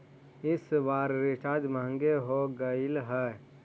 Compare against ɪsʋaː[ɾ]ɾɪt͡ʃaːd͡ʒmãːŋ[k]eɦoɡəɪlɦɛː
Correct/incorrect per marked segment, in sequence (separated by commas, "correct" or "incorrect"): correct, incorrect